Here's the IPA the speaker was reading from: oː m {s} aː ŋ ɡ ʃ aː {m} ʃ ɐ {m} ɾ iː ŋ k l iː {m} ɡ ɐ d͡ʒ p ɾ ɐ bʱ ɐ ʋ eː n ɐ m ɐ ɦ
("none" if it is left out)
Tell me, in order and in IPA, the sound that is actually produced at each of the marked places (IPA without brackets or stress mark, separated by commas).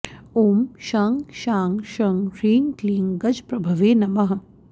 ʃ, ŋ, ŋ, ŋ